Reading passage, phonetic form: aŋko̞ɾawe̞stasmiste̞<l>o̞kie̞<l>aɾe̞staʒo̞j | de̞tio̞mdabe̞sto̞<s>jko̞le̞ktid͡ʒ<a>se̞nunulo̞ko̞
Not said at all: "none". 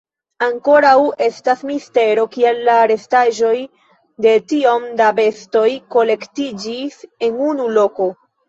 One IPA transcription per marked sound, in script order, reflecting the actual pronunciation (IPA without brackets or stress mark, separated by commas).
ɾ, lː, none, i